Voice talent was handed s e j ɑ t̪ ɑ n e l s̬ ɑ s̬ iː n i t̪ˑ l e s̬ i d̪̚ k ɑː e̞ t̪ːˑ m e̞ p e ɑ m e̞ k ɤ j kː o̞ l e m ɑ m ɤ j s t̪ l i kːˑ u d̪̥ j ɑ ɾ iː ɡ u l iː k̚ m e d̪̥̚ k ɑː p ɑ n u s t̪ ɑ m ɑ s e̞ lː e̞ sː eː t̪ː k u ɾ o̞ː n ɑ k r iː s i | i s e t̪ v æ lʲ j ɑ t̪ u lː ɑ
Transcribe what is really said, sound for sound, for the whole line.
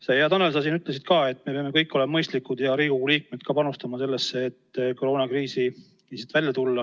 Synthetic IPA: s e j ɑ t̪ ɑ n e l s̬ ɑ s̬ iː n y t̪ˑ l e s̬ i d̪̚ k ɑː e̞ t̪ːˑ m e̞ p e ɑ m e̞ k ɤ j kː o̞ l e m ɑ m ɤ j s t̪ l i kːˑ u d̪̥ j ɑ ɾ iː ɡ u l iː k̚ m e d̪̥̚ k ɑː p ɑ n u s t̪ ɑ m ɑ s e̞ lː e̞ sː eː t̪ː k o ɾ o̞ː n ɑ k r iː s i | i s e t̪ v æ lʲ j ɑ t̪ u lː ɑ